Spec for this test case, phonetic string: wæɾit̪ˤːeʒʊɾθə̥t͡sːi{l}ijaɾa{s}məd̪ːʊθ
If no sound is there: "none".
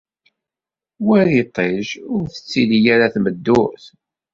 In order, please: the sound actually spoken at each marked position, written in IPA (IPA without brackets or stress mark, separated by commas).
l, θ